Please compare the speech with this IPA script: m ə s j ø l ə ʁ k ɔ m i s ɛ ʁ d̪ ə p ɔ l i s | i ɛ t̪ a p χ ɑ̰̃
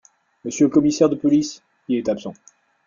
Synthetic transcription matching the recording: m ə s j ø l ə k ɔ m i s ɛ ʁ d̪ ə p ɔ l i s | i ɛ t̪ a p s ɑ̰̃